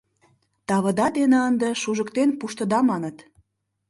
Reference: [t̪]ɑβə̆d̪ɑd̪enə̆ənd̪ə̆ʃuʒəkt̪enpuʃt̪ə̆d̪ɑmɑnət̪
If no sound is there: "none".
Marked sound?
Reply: t̪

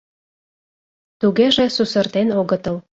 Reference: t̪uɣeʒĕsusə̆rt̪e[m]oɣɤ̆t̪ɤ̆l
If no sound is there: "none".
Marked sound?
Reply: n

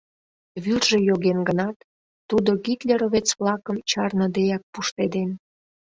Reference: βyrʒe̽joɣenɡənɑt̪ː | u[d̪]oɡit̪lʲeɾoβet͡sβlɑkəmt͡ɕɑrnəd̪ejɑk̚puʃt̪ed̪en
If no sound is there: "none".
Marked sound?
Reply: d̪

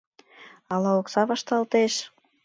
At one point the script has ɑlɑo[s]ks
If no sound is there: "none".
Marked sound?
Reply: none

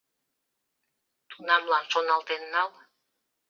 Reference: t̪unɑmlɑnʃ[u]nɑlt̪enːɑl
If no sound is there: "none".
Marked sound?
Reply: o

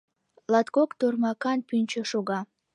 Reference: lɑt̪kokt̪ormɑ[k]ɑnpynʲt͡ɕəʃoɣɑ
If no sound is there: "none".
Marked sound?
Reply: k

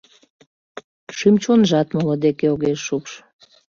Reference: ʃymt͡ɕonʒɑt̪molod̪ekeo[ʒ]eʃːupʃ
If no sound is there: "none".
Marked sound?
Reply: ɣ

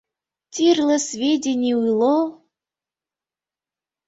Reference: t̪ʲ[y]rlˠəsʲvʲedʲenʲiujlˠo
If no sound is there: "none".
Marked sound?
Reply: i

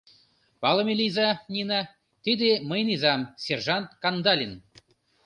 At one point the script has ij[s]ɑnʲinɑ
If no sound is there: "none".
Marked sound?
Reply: z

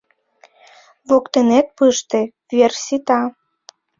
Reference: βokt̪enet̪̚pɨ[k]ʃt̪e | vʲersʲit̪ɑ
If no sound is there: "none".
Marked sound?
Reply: none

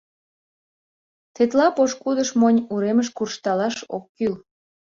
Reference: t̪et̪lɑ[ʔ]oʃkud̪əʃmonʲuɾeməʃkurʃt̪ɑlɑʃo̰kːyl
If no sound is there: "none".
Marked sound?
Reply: p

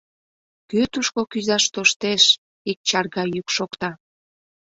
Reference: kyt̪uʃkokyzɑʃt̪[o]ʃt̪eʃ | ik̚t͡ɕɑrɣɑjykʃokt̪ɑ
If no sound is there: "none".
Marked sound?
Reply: o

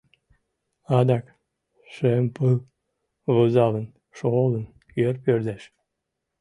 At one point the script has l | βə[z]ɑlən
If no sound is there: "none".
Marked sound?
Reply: z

